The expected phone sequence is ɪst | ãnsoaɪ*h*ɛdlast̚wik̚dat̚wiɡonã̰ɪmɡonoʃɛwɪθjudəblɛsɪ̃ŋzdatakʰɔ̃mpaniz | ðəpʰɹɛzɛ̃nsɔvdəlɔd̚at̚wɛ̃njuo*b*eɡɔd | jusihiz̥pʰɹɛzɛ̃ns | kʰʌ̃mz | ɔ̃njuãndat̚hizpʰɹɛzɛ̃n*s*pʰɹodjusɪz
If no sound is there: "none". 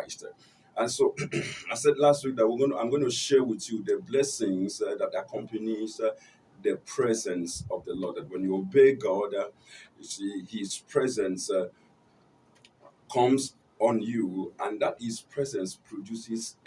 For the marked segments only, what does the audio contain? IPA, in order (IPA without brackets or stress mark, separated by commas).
s, b, s